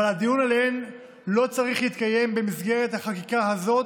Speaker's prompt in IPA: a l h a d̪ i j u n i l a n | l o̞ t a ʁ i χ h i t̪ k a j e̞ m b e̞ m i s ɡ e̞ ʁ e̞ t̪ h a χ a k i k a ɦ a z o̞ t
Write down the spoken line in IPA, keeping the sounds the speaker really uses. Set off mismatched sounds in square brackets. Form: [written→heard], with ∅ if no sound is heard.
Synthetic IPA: a l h a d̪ i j u n [i→a] l [a→e] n | l o̞ [t→t͡s] a ʁ i χ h i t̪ k a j e̞ m b e̞ m i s ɡ e̞ ʁ e̞ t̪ h a χ a k i k a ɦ a z o̞ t